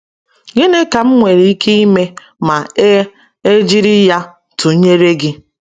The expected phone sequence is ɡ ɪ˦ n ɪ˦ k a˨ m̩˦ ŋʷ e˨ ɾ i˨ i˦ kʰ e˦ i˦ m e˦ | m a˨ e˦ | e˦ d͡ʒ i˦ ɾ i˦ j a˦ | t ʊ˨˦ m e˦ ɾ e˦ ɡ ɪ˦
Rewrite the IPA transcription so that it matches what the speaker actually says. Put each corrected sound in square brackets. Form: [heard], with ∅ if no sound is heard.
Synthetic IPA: ɡ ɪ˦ n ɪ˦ k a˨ m̩˦ ŋʷ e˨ ɾ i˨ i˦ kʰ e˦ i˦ m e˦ | m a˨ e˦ | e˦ d͡ʒ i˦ ɾ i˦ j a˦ | t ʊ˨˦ [ɲ] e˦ ɾ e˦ ɡ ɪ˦